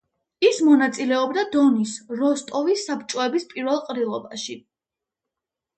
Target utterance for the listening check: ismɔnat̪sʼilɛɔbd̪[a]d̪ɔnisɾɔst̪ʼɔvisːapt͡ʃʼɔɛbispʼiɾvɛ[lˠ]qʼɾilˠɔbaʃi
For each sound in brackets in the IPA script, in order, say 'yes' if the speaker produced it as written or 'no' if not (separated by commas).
yes, yes